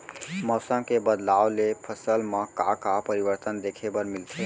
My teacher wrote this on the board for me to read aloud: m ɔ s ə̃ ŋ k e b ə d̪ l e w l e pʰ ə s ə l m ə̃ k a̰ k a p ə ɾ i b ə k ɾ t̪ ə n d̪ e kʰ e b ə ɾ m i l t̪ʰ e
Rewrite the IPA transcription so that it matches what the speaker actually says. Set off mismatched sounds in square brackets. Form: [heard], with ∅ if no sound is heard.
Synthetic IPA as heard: m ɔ s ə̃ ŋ k e b ə d̪ l [a] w l e pʰ ə s ə l m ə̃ k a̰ k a p ə ɾ i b ə [∅] ɾ t̪ ə n d̪ e kʰ e b ə ɾ m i l t̪ʰ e